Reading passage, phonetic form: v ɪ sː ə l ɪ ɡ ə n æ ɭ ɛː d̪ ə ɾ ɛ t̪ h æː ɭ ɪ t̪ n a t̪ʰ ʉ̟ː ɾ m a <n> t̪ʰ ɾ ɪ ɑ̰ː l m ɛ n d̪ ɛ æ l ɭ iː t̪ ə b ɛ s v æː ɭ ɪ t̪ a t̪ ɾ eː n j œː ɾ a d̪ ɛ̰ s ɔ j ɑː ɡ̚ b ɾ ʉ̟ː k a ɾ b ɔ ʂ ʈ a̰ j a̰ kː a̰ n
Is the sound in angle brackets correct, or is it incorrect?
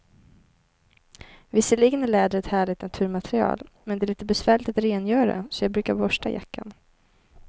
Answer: incorrect